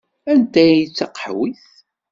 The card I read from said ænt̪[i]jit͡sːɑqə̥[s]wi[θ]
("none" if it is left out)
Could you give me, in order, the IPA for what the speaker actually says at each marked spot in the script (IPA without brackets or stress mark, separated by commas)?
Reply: æ, ħ, θ